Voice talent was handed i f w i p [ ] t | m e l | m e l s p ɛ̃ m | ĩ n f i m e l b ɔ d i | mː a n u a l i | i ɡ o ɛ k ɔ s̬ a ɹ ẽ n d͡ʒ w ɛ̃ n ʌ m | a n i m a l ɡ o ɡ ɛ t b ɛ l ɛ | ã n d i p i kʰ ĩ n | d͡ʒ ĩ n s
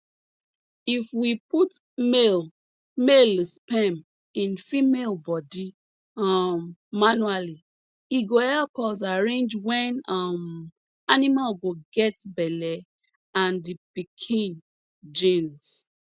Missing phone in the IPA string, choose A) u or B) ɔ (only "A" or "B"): A